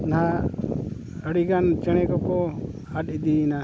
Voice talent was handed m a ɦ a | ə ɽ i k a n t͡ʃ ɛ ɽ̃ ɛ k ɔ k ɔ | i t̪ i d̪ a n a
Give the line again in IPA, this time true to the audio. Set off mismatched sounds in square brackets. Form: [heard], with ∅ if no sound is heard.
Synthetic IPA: [n] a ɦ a | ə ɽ i [ɡ] a n t͡ʃ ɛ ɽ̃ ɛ k ɔ k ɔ | [a] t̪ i d̪ [i] n a